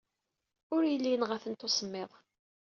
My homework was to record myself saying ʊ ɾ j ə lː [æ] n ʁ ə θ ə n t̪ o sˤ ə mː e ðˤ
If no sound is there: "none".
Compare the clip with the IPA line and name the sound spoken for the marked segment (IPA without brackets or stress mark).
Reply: i